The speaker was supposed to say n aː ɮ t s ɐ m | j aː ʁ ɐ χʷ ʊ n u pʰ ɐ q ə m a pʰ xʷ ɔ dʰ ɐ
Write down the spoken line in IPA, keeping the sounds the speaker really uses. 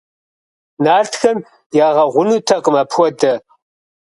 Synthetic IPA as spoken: n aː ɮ t x ɐ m | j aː ʁ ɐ ʁʷ ʊ n u tʰ ɐ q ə m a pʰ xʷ ɔ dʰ ɐ

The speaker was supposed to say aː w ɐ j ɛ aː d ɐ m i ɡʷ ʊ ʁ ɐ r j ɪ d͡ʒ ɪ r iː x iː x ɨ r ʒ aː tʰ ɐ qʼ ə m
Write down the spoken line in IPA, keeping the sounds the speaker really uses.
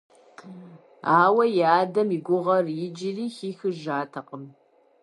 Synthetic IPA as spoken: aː w ɐ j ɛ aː d ɐ m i ɡʷ ʊ ʁ ɐ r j ɪ d͡ʒ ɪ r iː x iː x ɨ ʒ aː tʰ ɐ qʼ ə m

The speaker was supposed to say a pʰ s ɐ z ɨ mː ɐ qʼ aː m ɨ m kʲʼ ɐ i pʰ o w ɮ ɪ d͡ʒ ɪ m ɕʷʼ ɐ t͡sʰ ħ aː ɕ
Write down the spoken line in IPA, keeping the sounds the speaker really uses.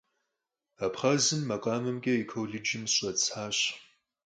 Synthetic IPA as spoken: a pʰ χ ɐ z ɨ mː ɐ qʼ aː m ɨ m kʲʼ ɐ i kʰ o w ɮ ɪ d͡ʒ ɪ m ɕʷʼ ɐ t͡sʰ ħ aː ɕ

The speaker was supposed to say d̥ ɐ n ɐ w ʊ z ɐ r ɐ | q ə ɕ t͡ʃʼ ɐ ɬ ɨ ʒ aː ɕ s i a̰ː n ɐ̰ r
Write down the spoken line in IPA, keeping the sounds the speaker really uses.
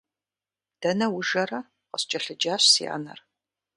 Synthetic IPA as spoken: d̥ ɐ n ɐ w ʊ ʒ ɐ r ɐ | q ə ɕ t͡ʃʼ ɐ ɬ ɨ d͡ʒ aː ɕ s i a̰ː n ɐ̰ r

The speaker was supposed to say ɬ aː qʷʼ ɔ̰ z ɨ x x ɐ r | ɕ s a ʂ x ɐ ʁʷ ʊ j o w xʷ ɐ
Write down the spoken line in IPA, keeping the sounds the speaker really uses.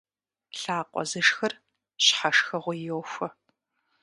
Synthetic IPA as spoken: ɬ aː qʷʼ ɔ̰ z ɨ ʂ x ɐ r | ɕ ħ a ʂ x ɐ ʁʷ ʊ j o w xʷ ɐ

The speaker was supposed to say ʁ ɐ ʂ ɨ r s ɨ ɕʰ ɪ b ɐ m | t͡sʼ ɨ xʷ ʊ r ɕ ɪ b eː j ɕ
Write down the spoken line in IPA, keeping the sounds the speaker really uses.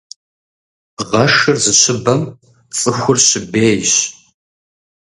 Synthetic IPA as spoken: ʁ ɐ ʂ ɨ r z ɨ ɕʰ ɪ b ɐ m | t͡sʼ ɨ xʷ ʊ r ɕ ɪ b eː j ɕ

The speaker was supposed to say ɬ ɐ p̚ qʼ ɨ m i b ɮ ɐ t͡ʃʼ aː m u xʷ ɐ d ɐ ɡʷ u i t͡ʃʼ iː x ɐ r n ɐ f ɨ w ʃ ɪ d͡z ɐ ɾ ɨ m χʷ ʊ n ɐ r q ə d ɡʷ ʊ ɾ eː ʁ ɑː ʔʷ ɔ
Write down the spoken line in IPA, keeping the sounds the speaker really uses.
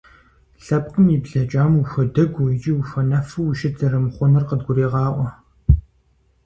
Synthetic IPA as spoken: ɬ ɐ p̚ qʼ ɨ m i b ɮ ɐ t͡ʃʼ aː m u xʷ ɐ d ɐ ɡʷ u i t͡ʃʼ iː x ɐ n ɐ f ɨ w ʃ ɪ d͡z ɐ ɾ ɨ m χʷ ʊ n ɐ r q ə d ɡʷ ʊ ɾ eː ʁ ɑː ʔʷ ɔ

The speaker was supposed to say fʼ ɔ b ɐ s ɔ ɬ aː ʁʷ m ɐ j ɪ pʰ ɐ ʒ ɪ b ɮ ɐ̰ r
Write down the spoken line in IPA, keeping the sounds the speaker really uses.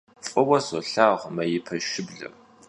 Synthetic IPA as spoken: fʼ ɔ w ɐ s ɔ ɬ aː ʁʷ m ɐ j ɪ pʰ ɐ ʃ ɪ b ɮ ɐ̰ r

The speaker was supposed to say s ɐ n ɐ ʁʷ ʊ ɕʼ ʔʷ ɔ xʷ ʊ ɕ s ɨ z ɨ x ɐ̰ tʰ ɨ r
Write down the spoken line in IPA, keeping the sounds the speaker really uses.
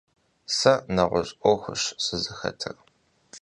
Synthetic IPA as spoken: s ɐ n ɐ ʁʷ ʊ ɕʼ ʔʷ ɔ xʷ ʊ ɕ s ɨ z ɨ x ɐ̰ tʰ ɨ r

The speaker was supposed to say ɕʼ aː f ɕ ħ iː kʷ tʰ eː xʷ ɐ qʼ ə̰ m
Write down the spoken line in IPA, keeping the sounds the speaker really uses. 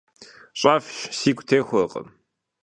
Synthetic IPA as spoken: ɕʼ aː f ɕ s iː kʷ tʰ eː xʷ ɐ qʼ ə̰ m

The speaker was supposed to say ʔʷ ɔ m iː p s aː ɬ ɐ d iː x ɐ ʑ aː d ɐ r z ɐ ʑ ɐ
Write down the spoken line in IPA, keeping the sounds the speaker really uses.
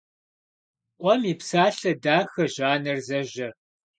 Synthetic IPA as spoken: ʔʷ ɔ m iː p s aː ɬ ɐ d aː x ɐ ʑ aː n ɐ r z ɐ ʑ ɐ

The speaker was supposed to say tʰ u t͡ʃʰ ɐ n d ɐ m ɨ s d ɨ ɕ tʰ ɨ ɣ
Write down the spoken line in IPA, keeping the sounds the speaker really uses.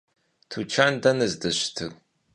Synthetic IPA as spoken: tʰ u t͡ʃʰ a n d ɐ n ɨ z d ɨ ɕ tʰ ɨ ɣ

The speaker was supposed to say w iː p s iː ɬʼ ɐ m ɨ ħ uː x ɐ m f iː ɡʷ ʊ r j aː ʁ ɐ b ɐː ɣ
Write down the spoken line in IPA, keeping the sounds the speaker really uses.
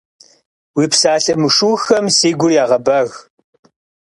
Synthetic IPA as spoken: w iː p s aː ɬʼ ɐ m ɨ ʂ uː x ɐ m s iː ɡʷ ʊ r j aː ʁ ɐ b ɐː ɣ

